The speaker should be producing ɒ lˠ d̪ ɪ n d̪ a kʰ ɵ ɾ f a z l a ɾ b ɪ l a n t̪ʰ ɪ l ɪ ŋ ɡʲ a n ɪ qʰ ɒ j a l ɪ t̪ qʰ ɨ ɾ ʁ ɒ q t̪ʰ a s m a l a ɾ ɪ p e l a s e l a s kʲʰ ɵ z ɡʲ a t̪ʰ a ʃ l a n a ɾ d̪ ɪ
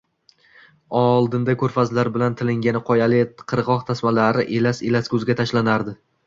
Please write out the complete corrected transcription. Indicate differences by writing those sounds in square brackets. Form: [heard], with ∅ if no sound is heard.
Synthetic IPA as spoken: ɒ lˠ d̪ ɪ n d̪ a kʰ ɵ ɾ f a z l a ɾ b ɪ l a n t̪ʰ ɪ l ɪ ŋ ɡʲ a n ɪ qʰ ɒ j a l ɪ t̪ qʰ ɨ ɾ ʁ ɒ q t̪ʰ a s m a l a ɾ ɪ [ʔ] e l a s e l a s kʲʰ ɵ z ɡʲ a t̪ʰ a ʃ l a n a ɾ d̪ ɪ